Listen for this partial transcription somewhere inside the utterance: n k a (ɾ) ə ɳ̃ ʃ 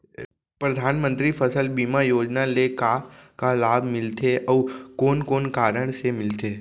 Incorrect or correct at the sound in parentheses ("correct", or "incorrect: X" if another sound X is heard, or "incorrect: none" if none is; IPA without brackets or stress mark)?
correct